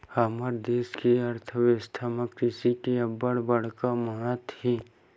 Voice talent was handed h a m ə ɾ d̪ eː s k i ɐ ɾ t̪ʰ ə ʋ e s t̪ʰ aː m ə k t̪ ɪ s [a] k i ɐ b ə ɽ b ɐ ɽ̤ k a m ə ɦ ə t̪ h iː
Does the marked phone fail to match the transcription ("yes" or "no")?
yes